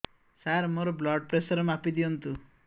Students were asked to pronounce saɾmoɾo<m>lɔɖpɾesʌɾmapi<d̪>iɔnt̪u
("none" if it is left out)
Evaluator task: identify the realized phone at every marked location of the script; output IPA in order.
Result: b, d̪

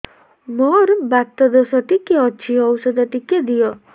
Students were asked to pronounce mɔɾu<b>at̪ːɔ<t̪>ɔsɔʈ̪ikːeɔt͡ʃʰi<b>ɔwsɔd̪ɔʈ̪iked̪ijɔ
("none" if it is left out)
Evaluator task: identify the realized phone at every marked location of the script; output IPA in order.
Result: b, d̪, none

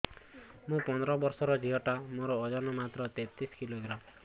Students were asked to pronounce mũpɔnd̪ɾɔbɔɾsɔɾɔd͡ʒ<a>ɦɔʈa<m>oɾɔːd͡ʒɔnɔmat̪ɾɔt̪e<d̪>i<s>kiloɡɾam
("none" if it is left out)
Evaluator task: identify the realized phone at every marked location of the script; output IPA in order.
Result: i, m, t̪, s

